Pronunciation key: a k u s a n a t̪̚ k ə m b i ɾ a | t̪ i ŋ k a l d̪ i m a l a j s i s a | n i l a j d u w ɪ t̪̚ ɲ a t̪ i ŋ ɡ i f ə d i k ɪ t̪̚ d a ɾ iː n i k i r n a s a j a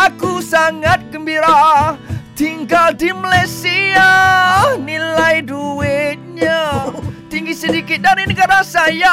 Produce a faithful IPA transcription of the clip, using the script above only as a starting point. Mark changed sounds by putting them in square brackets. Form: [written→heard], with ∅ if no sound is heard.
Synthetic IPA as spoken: a k u s a [n→ŋ] a t̪̚ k ə m b i ɾ a | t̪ i ŋ [k→ɡ] a l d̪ i m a l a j s i [s→∅] a | n i l a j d u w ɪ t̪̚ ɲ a t̪ i ŋ ɡ i [f→s] ə d i k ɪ t̪̚ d a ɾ [iː→i] n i k [i→a] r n a s a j a